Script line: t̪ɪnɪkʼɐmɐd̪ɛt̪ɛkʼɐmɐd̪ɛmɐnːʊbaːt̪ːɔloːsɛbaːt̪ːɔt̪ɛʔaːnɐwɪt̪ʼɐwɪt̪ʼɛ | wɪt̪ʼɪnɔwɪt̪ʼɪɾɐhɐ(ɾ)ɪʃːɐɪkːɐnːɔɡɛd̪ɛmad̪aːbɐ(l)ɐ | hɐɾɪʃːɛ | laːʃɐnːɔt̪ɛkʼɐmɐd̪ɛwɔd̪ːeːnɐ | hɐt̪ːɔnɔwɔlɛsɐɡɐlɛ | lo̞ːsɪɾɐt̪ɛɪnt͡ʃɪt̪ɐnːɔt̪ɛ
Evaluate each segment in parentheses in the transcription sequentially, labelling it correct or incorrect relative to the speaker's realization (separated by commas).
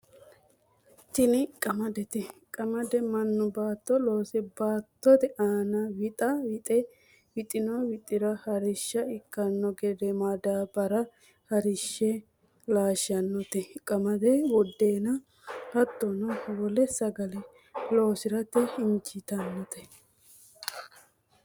correct, incorrect